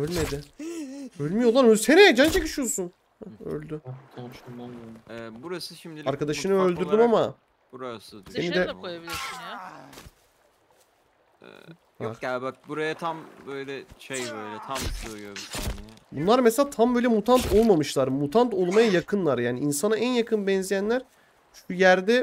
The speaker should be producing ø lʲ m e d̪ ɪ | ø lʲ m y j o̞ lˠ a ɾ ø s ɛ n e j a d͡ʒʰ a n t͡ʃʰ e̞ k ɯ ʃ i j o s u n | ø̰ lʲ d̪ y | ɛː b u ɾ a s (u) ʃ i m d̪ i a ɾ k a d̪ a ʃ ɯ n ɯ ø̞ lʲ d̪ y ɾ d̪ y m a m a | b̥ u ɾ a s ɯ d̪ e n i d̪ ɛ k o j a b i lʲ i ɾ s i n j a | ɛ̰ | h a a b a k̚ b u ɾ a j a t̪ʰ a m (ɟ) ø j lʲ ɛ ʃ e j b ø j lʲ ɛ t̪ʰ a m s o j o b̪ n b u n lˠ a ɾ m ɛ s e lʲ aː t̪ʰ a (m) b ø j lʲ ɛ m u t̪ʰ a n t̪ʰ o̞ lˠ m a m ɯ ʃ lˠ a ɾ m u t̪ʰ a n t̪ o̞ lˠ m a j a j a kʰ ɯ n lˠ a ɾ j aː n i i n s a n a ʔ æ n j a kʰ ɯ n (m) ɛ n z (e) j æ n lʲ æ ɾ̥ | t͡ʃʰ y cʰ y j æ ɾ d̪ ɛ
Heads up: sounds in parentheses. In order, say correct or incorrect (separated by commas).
incorrect, incorrect, correct, incorrect, incorrect